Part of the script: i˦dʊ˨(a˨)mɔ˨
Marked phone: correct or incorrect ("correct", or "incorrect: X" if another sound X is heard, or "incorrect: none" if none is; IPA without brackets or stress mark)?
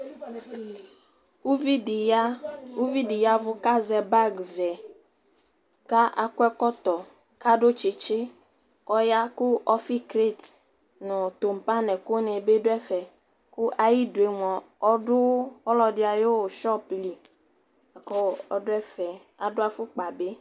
incorrect: e˨